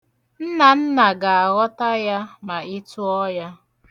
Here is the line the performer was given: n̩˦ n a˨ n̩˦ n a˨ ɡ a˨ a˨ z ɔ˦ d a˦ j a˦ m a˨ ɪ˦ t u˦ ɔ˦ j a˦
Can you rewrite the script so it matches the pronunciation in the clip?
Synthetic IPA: n̩˦ n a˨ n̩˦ n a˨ ɡ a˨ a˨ ɣ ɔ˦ t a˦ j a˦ m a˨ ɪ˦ t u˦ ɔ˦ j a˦